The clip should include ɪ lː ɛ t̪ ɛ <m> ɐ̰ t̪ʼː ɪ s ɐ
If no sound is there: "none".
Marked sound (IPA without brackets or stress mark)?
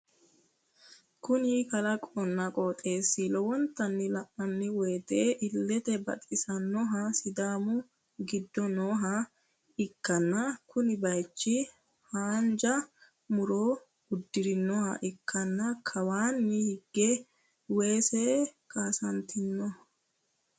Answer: b